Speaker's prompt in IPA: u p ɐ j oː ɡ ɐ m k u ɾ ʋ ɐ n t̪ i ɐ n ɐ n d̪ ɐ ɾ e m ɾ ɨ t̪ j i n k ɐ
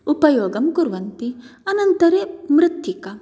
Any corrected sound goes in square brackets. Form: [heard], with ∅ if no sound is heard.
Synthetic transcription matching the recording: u p ɐ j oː ɡ ɐ m k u ɾ ʋ ɐ n t̪ i ɐ n ɐ n [t̪] ɐ ɾ e m ɾ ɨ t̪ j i [∅] k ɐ